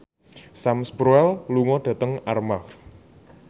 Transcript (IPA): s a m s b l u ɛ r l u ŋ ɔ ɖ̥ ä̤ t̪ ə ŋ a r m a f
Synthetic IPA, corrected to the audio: s a m s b ɾ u ɛ l l u ŋ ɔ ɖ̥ ä̤ t̪ ə ŋ a r m a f